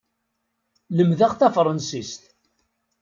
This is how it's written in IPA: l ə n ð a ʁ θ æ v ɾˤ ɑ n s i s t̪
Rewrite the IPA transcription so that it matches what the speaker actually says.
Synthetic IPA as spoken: l ə m ð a ʁ θ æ f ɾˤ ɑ n s i s t̪